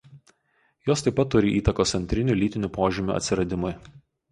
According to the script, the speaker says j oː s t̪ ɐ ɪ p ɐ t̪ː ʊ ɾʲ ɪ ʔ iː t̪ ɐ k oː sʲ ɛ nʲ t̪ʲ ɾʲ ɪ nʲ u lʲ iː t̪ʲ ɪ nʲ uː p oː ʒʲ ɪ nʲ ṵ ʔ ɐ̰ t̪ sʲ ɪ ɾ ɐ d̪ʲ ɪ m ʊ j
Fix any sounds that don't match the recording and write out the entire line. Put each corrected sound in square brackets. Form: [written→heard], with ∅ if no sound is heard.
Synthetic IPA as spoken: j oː s t̪ ɐ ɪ p ɐ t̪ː ʊ ɾʲ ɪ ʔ iː t̪ ɐ k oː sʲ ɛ nʲ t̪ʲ ɾʲ ɪ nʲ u lʲ iː t̪ʲ ɪ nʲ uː p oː ʒʲ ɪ [nʲ→mʲ] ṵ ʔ ɐ̰ t̪ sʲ ɪ ɾ ɐ d̪ʲ ɪ m ʊ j